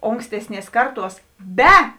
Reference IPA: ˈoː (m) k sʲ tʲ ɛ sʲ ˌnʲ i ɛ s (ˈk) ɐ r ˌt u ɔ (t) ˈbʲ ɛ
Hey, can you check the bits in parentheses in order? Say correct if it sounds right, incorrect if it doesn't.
incorrect: ŋ, correct, incorrect: s

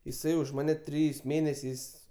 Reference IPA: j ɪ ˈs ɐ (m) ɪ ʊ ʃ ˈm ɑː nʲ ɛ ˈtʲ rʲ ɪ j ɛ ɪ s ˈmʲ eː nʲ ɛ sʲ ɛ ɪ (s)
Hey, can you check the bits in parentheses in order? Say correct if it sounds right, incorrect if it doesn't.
incorrect: none, correct

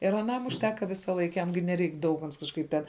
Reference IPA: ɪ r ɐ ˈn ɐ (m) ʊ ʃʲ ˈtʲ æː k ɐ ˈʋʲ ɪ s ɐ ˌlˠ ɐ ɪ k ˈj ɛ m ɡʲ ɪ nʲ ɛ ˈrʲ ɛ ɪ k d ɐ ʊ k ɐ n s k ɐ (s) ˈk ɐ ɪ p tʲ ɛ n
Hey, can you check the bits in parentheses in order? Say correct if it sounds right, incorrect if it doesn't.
correct, incorrect: ʃ

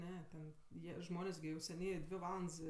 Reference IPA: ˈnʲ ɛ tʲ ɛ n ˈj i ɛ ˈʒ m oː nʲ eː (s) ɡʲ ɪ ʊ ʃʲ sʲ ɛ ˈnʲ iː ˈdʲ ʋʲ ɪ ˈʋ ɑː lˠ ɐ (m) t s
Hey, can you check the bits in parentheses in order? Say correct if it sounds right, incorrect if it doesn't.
correct, incorrect: n

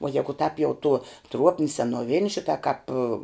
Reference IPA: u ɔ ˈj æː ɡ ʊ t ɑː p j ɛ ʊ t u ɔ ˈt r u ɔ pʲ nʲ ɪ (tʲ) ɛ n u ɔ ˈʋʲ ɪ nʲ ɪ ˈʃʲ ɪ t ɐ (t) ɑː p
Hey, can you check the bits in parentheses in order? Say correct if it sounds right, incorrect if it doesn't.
incorrect: sʲ, incorrect: k

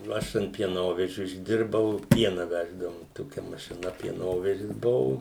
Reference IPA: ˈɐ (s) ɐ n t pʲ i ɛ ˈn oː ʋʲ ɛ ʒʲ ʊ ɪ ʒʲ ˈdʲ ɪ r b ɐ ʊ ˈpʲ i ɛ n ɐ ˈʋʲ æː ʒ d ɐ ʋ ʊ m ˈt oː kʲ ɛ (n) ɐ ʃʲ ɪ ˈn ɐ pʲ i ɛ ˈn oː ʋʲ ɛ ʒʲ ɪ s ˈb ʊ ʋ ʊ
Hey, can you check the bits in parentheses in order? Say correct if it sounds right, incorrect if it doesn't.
incorrect: ʃ, incorrect: m

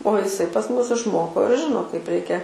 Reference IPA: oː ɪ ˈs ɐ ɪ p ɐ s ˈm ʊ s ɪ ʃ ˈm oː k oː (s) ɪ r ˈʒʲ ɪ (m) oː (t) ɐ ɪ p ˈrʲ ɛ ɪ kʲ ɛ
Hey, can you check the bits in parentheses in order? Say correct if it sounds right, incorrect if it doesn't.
incorrect: none, incorrect: n, incorrect: k

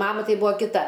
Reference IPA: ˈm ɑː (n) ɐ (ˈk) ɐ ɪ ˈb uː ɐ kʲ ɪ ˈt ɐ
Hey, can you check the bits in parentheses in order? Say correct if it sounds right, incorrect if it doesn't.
incorrect: m, incorrect: t

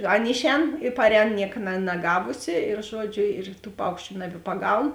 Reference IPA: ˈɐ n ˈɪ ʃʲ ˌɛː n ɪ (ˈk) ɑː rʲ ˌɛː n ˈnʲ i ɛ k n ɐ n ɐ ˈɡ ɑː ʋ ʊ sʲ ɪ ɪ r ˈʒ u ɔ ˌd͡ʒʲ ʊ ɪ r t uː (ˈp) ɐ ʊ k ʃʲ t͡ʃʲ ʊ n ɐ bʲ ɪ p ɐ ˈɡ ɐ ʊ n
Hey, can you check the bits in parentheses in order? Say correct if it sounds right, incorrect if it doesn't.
incorrect: p, correct

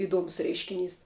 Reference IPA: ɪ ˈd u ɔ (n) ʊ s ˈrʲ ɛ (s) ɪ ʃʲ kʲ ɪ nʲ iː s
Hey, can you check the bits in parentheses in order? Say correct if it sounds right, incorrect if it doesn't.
incorrect: m, incorrect: none

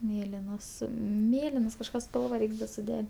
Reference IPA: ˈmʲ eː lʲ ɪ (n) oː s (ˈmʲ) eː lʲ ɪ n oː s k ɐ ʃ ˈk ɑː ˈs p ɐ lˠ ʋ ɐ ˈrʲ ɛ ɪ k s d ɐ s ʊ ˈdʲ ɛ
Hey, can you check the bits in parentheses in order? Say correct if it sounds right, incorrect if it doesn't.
correct, correct

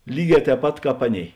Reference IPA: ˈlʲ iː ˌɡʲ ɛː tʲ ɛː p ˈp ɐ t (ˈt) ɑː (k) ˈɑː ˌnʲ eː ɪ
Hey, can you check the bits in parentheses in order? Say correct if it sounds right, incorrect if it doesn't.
incorrect: k, incorrect: p

